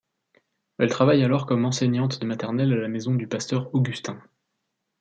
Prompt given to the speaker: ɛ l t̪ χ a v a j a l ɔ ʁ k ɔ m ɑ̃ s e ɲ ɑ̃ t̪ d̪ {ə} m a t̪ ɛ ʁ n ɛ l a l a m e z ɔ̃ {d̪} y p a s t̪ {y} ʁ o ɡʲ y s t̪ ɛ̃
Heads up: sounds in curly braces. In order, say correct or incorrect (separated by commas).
correct, correct, incorrect